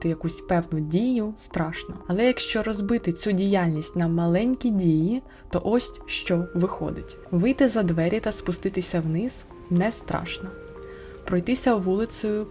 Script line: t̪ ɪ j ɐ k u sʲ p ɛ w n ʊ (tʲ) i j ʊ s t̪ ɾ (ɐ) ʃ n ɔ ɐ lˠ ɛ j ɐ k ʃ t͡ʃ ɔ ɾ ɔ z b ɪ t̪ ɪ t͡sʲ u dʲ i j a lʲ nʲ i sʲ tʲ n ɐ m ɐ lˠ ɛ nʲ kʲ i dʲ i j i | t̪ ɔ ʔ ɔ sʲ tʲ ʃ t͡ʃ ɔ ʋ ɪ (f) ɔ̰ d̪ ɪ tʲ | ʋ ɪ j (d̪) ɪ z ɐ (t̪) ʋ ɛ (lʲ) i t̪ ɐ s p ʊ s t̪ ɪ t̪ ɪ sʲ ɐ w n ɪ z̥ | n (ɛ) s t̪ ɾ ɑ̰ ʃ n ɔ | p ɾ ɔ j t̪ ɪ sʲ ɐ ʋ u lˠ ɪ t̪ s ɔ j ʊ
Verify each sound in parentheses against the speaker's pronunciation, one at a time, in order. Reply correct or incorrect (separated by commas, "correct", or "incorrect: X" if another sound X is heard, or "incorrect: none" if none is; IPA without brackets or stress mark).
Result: incorrect: dʲ, incorrect: ɑ, incorrect: x, incorrect: t̪, incorrect: d̪, incorrect: ɾʲ, correct